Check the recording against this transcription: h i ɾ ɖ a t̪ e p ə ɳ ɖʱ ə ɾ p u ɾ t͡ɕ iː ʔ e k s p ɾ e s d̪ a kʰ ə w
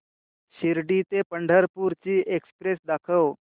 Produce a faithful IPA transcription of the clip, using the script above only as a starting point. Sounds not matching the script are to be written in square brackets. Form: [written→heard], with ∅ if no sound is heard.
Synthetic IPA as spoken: [h→ɕ] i ɾ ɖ [a→i] t̪ e p ə ɳ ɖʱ ə ɾ p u ɾ t͡ɕ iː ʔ e k s p ɾ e s d̪ a kʰ ə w

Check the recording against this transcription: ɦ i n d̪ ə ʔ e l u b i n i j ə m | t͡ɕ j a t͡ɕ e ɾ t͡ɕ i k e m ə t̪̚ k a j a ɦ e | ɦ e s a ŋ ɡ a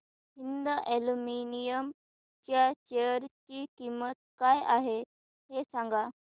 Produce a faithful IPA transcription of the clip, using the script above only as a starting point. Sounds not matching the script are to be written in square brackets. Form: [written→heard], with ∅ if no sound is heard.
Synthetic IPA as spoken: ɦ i n d̪ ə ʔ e l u [b→m] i n i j ə m | t͡ɕ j a t͡ɕ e ɾ t͡ɕ i k [e→i] m ə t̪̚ k a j a ɦ e | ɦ e s a ŋ ɡ a

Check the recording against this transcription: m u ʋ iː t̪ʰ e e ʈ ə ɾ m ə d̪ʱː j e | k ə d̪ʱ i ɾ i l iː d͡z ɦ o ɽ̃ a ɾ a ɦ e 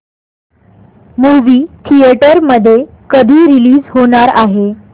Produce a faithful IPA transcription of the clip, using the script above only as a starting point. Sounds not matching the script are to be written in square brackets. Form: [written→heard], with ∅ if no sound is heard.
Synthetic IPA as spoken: m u ʋ iː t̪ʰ [e→i] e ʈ ə ɾ m ə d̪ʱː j e | k ə d̪ʱ [i→iː] ɾ i l iː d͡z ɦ o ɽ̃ a ɾ a ɦ e

